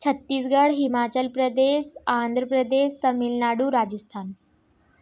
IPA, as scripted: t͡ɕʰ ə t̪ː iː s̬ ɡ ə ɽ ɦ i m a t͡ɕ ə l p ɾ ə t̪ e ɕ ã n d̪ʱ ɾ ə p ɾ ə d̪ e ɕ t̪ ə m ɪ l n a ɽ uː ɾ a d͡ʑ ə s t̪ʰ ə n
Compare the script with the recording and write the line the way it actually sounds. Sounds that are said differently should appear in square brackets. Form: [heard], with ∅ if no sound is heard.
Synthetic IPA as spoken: t͡ɕʰ ə t̪ː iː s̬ ɡ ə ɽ ɦ i m a t͡ɕ ə l p ɾ ə [d̪] e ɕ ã n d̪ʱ ɾ ə p ɾ ə d̪ e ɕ t̪ ə m [i] l n a ɽ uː ɾ a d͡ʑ ə s t̪ʰ [a] n